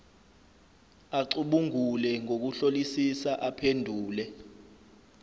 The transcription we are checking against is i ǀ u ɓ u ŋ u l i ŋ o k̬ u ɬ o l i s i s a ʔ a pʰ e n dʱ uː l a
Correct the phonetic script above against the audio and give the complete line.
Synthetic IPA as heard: a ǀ u ɓ u ŋ u l ɛ ŋ o k̬ u ɬ o l i s i s a ʔ a pʰ e n dʱ uː l ɛ